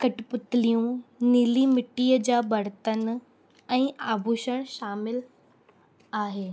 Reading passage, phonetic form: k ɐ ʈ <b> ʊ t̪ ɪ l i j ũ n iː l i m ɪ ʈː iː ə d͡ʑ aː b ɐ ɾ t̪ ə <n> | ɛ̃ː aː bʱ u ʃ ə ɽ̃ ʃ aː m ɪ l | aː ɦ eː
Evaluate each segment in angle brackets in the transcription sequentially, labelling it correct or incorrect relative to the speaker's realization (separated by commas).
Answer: incorrect, correct